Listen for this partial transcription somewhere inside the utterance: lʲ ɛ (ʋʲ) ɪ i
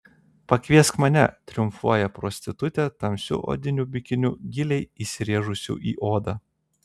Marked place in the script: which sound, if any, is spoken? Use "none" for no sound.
none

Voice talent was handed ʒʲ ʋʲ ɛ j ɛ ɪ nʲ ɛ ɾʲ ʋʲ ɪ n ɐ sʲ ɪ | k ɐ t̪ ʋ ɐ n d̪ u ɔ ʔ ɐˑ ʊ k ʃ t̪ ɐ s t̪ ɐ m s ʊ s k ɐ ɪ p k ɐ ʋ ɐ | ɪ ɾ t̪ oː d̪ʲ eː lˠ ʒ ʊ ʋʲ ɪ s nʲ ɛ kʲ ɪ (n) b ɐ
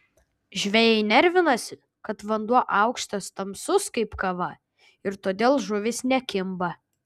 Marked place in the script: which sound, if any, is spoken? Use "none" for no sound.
m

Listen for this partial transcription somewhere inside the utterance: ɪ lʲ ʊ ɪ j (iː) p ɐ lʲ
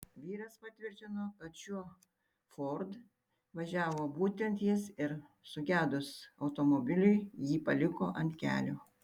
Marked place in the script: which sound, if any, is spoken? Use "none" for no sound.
iː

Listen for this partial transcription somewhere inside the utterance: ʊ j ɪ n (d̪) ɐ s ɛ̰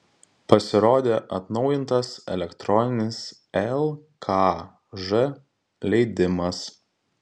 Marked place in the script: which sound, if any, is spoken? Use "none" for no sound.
t̪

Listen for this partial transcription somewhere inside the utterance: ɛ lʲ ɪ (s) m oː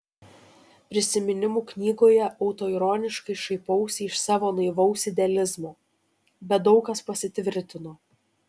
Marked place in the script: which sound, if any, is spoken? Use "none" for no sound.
z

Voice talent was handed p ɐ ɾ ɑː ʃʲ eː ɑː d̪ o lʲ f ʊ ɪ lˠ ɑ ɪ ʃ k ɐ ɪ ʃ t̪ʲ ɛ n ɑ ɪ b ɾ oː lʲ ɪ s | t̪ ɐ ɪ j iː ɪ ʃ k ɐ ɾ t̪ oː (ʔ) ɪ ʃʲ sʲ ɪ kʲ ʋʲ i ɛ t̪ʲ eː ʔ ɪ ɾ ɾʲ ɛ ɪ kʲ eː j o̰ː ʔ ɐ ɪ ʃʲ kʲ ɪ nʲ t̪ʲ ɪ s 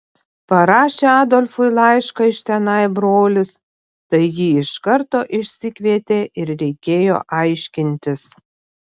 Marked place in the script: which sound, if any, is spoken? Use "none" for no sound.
ʔ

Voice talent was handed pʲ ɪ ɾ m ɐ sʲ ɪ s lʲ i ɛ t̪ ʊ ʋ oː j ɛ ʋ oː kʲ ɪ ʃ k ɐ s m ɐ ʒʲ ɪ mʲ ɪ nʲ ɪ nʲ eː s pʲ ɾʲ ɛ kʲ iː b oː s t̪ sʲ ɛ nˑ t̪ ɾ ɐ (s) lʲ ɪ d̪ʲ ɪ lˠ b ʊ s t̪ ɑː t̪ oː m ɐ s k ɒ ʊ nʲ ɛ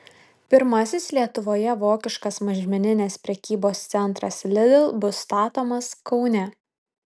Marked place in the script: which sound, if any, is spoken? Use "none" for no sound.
s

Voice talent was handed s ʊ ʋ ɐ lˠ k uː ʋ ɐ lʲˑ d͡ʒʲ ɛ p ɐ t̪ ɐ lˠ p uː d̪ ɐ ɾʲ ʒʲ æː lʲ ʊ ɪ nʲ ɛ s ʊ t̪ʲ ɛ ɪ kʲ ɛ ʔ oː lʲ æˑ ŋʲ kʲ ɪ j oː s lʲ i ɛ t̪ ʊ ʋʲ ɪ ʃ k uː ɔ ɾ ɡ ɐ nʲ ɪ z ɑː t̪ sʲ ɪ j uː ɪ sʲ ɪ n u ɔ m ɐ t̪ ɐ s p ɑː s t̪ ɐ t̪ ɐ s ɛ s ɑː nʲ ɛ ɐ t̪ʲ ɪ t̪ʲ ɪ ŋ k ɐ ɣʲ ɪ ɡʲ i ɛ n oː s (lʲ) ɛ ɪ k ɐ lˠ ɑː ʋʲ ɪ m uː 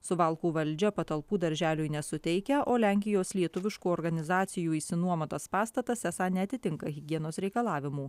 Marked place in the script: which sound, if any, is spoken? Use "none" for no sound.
ɾʲ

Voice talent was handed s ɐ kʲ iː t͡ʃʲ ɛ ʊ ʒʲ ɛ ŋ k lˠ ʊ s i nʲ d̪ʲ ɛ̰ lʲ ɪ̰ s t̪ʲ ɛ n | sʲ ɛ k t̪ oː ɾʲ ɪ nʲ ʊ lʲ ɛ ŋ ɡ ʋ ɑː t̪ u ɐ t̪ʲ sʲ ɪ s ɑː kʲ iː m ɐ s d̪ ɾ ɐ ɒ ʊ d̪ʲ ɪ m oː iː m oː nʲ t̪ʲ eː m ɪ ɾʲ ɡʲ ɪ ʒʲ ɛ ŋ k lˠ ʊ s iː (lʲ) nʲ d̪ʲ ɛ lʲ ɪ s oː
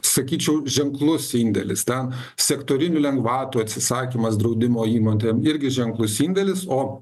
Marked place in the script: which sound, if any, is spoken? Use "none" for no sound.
none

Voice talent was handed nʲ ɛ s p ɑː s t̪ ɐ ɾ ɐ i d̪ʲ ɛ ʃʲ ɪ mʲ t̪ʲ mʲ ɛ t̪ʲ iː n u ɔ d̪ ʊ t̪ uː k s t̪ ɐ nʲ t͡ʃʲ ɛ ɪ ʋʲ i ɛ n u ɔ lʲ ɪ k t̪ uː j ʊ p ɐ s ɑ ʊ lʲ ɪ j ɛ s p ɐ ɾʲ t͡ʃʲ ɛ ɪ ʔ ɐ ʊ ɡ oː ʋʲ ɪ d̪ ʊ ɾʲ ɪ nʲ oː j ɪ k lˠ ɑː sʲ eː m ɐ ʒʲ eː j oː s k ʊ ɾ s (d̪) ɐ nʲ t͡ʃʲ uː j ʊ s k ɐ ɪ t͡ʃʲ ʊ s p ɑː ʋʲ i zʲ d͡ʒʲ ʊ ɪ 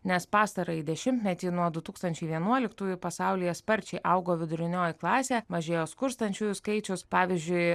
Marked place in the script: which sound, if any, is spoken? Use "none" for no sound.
t̪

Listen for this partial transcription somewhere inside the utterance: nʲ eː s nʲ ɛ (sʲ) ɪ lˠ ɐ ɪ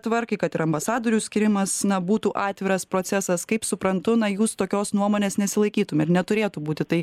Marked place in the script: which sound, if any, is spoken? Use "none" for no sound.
sʲ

